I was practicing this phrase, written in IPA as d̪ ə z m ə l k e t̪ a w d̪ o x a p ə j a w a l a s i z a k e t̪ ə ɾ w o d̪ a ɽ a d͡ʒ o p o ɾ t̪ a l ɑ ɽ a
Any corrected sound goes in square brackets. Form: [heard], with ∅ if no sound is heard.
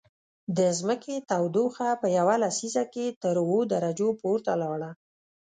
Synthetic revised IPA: d̪ ə z m ə [∅] k e t̪ a w d̪ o x a p ə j a w a l a s i z a k e t̪ ə ɾ w o d̪ a [ɾ] a d͡ʒ o p o ɾ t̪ a l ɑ ɽ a